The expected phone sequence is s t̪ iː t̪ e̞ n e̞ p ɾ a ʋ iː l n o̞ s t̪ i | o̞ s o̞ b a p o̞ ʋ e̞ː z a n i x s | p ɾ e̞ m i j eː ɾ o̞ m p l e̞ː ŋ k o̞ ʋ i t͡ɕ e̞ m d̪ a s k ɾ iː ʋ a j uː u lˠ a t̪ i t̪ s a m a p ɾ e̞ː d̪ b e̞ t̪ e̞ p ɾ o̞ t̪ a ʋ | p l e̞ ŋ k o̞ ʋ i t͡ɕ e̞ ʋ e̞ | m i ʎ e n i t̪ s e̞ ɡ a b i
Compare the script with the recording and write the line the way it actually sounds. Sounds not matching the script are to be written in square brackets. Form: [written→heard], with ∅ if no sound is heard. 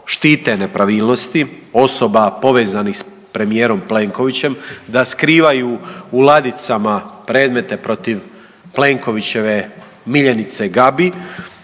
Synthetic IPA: [s→ʃ] t̪ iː t̪ e̞ n e̞ p ɾ a ʋ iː l n o̞ s t̪ i | o̞ s o̞ b a p o̞ ʋ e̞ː z a n i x s | p ɾ e̞ m i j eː ɾ o̞ m p l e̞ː ŋ k o̞ ʋ i t͡ɕ e̞ m d̪ a s k ɾ iː ʋ a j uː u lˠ a [t̪→d̪] i t̪ s a m a p ɾ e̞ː d̪ [b→m] e̞ t̪ e̞ p ɾ o̞ t̪ [a→i] ʋ | p l e̞ ŋ k o̞ ʋ i t͡ɕ e̞ ʋ e̞ | m i ʎ e n i t̪ s e̞ ɡ a b i